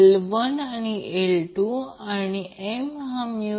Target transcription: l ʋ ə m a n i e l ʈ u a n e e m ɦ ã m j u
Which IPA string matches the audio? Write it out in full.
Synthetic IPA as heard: l ʋ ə n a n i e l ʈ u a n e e m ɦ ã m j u